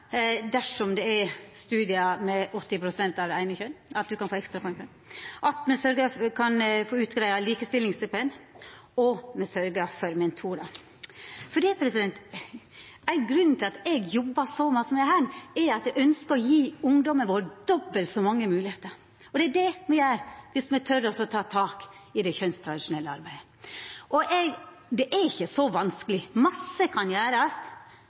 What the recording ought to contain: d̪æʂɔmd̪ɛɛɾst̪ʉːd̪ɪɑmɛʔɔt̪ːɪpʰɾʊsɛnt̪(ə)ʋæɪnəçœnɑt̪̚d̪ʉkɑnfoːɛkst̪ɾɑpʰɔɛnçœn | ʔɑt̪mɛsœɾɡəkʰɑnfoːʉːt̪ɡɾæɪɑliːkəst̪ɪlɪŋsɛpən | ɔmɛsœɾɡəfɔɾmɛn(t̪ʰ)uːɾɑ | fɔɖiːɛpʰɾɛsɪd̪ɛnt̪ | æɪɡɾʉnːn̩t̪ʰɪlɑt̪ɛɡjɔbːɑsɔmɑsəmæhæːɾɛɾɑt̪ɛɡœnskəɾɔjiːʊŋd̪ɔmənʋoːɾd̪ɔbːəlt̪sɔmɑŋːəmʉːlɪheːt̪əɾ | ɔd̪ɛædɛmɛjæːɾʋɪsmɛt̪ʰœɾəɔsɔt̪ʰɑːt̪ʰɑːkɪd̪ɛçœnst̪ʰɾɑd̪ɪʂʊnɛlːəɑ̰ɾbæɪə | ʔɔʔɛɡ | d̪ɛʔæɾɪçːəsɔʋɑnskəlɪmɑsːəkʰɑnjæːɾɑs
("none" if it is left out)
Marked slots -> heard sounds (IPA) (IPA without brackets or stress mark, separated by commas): ɑ, t̪ʰ